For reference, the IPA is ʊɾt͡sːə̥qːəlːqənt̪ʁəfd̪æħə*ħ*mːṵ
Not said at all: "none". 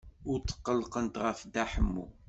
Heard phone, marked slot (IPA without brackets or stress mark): none